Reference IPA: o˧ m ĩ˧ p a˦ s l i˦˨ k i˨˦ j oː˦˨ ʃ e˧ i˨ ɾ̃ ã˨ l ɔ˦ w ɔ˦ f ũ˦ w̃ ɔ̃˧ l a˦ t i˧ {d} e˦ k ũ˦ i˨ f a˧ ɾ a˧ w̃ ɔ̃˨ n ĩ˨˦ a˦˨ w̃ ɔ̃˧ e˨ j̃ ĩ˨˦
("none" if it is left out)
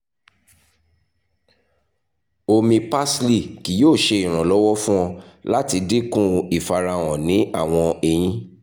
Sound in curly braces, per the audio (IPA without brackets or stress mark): d